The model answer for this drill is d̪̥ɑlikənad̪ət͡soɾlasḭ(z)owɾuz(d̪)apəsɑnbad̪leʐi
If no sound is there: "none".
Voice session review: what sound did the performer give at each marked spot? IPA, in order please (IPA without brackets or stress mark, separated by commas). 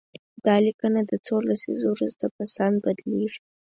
z, t̪